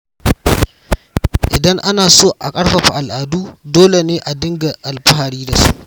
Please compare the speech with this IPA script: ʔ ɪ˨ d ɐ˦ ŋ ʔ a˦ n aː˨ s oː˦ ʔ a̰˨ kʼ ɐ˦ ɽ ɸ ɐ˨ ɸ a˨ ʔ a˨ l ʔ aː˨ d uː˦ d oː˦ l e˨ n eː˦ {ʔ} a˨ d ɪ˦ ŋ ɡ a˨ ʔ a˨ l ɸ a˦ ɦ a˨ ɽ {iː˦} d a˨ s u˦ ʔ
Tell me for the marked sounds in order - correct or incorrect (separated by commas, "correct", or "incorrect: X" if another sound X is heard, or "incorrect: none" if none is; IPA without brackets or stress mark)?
correct, correct